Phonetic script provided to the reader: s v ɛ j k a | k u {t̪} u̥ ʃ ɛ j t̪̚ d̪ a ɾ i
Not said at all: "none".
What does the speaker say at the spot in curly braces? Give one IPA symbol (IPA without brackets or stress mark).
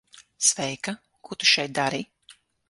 t̪